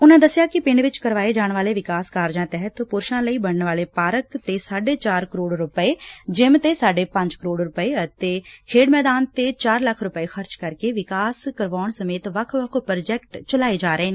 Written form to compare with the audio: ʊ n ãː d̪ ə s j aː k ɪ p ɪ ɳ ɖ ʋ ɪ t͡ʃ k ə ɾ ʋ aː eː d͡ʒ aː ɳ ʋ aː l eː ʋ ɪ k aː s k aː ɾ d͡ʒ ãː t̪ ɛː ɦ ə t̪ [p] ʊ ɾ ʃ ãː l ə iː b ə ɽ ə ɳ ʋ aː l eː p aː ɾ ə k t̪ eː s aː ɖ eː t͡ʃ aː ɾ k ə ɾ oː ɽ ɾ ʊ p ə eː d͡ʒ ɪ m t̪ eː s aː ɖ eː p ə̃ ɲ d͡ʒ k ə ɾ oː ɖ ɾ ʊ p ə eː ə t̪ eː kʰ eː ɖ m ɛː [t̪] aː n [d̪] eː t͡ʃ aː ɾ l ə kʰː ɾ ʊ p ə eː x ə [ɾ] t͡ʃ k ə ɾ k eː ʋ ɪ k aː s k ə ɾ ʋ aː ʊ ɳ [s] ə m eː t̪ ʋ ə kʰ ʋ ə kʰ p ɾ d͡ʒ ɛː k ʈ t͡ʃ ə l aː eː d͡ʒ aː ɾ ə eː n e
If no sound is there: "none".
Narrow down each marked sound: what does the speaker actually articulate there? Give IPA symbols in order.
p, d̪, t̪, ɾ, s

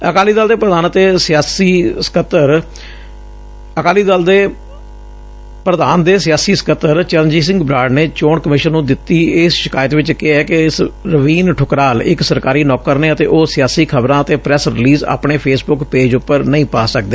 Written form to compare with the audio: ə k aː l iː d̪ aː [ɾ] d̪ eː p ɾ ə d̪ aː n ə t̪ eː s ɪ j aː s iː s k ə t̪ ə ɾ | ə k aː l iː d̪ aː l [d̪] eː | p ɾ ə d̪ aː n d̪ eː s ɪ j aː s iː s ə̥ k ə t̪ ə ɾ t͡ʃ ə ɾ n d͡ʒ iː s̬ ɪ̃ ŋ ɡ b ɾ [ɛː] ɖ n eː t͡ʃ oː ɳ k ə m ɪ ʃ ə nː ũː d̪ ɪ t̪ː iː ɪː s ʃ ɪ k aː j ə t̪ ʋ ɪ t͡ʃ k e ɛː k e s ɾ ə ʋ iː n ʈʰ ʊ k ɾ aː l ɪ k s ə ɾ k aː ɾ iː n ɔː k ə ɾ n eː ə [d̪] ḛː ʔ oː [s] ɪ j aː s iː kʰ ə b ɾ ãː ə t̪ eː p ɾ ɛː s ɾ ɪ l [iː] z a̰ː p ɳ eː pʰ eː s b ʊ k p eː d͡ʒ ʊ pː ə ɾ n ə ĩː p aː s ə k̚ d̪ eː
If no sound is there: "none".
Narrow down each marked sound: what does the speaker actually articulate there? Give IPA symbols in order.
l, d̪, aː, t̪, s, iː

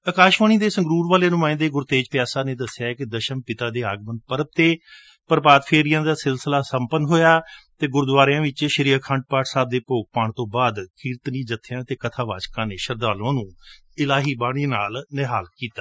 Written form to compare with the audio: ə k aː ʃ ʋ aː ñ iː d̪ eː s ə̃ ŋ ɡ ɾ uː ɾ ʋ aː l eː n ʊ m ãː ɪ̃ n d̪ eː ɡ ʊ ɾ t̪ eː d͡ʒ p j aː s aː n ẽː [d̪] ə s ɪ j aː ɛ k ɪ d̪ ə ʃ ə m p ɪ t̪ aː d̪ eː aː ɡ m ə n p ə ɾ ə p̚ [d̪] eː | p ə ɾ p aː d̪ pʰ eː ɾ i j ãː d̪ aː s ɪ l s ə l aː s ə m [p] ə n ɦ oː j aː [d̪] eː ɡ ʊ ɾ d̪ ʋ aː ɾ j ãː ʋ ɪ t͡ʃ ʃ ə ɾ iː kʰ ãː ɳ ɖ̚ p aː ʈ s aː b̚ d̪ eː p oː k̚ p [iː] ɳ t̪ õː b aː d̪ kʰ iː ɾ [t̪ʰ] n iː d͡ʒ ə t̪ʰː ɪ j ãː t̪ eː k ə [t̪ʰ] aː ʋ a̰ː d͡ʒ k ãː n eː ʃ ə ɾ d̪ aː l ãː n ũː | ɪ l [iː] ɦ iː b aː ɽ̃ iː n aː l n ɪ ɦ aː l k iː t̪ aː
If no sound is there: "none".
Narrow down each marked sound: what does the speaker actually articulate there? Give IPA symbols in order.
d̪, t̪, p, t̪, aː, t̪, t̪ʰ, aː

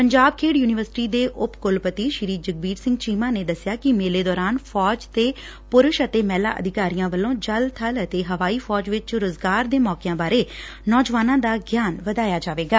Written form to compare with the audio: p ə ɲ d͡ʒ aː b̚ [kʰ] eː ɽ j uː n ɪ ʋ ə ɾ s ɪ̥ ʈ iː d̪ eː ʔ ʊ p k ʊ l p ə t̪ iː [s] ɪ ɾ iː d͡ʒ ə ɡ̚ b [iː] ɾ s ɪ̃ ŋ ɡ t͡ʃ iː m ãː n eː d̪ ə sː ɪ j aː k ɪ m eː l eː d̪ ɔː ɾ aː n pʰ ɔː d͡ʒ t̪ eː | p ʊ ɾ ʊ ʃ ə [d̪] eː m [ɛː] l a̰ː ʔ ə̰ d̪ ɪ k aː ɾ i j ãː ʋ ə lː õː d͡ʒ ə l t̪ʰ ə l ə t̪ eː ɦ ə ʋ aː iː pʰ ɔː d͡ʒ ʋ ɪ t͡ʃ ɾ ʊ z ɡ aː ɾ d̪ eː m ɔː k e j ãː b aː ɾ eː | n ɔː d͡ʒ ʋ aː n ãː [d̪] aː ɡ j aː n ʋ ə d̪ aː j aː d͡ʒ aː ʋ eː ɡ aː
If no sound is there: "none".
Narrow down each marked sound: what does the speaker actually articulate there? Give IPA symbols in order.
kʰ, ʃ, iː, t̪, ɛː, d̪

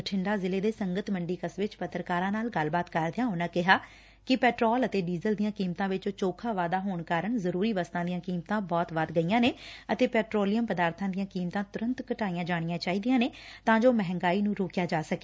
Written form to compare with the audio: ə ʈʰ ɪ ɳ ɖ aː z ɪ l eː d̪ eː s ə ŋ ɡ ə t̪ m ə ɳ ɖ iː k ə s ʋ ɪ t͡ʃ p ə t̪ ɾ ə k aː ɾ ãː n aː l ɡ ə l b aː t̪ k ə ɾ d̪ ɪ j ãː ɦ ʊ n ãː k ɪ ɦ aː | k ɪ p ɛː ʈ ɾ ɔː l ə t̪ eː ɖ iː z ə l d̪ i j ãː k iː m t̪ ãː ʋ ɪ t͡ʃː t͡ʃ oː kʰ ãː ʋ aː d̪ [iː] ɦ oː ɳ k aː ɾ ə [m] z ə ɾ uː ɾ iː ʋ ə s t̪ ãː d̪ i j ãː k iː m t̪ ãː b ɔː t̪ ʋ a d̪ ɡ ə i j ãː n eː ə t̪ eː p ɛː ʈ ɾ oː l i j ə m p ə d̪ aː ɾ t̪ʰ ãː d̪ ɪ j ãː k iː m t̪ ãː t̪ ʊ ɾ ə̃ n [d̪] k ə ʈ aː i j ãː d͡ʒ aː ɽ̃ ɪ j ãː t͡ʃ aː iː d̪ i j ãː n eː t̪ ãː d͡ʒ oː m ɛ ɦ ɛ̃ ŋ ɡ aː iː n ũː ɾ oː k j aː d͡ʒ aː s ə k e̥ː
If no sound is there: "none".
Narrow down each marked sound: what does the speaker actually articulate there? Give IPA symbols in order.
aː, ɳ, t̪

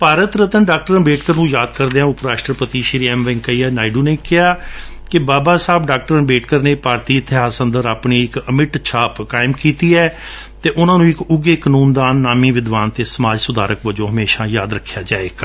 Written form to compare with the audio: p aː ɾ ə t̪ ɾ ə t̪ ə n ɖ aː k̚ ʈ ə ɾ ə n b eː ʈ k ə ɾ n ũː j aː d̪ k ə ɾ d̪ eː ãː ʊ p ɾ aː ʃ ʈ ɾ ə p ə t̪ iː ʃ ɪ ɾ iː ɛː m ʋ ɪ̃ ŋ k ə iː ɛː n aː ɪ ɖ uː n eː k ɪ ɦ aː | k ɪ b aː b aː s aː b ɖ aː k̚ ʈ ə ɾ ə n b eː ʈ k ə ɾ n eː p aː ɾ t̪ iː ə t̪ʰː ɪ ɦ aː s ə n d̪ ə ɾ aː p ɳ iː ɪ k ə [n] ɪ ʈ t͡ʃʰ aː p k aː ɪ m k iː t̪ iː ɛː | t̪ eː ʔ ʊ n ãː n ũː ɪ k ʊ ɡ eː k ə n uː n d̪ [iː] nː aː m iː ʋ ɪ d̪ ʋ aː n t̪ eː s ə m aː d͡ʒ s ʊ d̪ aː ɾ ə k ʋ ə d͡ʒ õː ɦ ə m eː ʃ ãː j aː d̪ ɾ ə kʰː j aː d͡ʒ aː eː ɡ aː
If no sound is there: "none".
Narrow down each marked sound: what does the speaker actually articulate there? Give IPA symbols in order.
m, aː

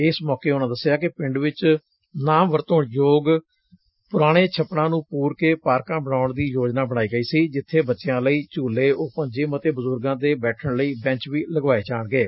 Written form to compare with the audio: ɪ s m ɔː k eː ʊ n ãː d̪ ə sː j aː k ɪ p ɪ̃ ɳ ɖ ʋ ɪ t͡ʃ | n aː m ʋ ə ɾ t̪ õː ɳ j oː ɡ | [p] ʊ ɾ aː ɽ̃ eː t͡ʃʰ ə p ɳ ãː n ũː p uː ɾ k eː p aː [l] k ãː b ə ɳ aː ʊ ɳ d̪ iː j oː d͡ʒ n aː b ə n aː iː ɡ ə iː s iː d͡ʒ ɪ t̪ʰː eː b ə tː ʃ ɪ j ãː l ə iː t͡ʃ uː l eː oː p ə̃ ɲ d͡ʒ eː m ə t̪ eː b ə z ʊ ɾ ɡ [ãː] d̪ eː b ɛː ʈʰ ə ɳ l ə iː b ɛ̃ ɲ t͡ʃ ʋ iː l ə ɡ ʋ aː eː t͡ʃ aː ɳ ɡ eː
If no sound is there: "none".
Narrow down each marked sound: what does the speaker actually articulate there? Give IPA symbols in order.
p, ɾ, ãː

